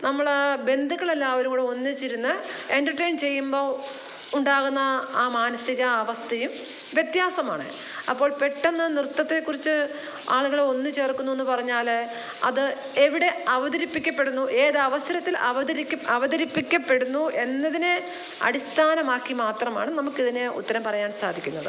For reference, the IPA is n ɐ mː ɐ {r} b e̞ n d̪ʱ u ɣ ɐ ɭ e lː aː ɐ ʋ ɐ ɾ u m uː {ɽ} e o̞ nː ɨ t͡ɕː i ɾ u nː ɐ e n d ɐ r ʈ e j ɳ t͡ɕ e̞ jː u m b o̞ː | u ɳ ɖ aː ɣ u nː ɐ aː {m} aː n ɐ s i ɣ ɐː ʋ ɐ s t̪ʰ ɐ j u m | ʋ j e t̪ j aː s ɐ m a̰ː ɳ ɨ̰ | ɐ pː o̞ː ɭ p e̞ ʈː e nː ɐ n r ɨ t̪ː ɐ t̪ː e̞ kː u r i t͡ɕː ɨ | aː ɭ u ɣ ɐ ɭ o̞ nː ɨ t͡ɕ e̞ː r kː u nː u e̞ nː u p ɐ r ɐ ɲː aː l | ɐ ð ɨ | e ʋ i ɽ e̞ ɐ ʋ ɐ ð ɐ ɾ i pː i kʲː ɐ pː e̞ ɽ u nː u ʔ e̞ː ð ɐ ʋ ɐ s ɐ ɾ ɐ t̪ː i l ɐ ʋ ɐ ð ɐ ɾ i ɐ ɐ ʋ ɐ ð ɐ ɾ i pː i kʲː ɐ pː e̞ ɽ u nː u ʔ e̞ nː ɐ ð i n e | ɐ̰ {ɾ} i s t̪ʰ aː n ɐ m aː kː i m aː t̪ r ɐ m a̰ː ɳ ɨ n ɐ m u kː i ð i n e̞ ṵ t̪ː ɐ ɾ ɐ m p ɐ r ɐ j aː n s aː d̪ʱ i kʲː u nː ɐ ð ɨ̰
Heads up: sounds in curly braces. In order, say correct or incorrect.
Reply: incorrect, correct, correct, incorrect

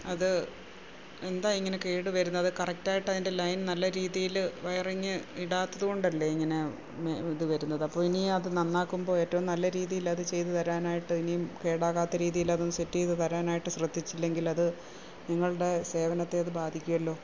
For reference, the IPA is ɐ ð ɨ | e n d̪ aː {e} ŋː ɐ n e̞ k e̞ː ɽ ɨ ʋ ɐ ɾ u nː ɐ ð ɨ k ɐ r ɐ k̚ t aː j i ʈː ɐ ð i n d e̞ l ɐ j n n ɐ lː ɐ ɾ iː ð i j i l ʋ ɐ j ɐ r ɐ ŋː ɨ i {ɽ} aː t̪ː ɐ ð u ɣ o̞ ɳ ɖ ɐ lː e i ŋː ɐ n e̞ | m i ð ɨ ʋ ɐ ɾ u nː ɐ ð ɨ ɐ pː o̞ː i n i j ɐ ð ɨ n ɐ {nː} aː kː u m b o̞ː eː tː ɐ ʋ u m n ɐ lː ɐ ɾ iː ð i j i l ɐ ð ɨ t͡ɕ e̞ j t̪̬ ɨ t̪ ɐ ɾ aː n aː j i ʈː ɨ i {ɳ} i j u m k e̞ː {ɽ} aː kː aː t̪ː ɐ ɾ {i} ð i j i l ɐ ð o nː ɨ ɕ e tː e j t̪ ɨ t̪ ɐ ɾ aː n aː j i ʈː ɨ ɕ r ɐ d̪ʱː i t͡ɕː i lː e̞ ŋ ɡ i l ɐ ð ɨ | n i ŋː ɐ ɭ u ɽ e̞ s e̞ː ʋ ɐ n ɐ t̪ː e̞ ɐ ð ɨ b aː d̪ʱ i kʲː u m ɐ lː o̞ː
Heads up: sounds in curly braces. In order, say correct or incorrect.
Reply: incorrect, correct, correct, incorrect, correct, incorrect

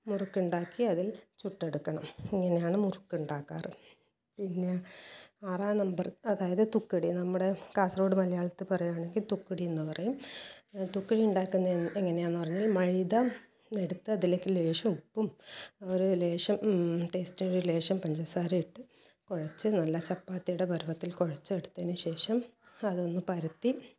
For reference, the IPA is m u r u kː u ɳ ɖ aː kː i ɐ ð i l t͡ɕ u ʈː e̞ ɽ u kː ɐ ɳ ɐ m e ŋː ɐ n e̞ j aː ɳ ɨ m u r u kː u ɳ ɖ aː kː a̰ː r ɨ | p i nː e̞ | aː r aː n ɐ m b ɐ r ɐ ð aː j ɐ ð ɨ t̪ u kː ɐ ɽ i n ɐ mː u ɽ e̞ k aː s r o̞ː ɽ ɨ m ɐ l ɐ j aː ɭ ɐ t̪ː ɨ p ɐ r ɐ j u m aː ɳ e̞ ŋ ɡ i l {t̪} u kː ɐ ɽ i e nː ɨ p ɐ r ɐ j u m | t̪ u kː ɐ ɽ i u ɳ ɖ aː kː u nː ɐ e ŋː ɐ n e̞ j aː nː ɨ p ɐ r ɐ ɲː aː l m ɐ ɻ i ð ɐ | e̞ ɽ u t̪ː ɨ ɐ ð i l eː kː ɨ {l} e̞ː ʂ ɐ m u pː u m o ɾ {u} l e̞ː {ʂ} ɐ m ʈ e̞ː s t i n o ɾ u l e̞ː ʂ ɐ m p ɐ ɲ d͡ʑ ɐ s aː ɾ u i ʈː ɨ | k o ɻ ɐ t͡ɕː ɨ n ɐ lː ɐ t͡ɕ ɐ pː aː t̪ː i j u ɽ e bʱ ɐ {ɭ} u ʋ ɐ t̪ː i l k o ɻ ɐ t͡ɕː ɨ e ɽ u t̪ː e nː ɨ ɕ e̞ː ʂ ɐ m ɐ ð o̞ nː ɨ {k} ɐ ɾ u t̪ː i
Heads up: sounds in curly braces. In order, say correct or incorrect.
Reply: correct, correct, correct, correct, incorrect, incorrect

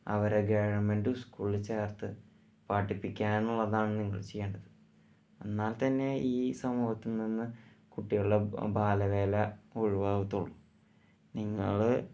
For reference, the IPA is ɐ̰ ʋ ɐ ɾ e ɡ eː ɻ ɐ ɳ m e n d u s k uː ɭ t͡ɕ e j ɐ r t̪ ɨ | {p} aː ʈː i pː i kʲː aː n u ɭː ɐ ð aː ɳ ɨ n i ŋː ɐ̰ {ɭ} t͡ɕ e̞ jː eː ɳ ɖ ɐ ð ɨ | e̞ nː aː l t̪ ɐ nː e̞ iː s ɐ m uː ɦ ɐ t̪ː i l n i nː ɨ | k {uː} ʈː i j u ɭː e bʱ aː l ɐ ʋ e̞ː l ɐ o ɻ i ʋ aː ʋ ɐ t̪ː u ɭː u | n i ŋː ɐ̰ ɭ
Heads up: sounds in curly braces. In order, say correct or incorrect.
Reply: correct, correct, incorrect

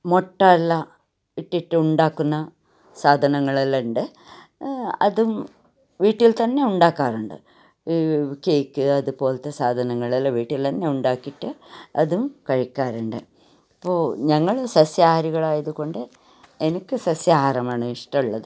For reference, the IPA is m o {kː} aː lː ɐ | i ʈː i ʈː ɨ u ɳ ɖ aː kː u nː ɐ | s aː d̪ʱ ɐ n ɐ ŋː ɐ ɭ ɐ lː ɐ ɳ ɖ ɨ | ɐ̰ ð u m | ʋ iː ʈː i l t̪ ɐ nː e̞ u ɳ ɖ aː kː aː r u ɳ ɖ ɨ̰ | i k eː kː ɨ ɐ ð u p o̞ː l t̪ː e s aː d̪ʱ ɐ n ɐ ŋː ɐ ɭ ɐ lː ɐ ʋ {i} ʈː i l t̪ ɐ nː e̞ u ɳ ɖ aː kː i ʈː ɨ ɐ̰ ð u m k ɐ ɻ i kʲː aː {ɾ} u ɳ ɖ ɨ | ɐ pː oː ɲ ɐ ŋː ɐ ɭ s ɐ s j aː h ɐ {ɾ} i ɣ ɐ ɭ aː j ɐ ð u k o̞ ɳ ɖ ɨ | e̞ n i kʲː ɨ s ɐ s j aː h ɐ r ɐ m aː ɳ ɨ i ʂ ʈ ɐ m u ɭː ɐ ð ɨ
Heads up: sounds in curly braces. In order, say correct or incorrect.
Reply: incorrect, incorrect, correct, correct

